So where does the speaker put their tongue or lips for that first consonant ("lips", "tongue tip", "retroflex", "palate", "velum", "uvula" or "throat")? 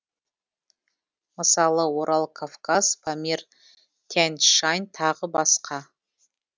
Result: lips